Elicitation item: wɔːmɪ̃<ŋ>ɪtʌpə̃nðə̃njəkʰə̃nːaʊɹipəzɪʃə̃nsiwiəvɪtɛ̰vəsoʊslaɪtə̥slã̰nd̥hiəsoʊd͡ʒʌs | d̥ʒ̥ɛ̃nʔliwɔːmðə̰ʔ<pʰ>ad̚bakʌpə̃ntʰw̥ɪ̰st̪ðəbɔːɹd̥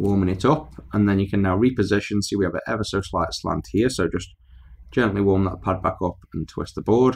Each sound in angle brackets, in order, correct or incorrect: correct, correct

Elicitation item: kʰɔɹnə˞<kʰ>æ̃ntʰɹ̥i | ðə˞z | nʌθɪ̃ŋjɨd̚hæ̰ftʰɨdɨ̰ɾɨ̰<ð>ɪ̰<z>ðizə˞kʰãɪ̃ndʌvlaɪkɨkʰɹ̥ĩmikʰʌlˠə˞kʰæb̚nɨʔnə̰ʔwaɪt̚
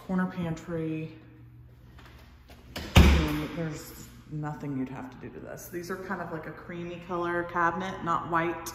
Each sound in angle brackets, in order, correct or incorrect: incorrect: pʰ, correct, incorrect: s

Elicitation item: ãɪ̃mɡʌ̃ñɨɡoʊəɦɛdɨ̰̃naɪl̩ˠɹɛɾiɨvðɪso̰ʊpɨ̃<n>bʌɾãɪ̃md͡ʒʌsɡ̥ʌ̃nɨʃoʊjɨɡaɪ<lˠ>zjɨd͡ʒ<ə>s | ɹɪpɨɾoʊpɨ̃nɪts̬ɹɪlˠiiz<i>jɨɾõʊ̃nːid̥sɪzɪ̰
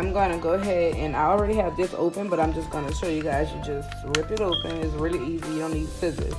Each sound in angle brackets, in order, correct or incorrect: correct, incorrect: none, incorrect: ʌ, correct

